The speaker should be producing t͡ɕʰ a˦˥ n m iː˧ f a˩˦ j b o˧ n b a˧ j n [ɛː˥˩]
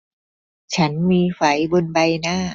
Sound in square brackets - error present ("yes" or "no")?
yes